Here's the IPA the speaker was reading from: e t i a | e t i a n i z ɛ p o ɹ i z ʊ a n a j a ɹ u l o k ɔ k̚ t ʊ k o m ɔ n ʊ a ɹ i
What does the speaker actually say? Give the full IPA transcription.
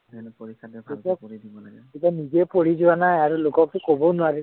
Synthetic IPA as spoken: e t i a | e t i a n i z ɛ p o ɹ i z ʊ a n a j a ɹ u l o k ɔ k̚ t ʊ k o b ɔ n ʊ a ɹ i